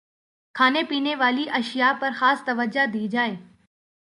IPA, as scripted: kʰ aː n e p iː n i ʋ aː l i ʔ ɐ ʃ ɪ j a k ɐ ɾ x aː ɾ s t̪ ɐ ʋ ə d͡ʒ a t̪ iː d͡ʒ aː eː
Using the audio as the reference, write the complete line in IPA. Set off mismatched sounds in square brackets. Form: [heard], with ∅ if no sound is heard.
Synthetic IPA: kʰ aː n e p iː n [e] ʋ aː l i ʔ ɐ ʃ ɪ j a [p] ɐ ɾ x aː [∅] s t̪ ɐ ʋ ə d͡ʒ a [d̪] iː d͡ʒ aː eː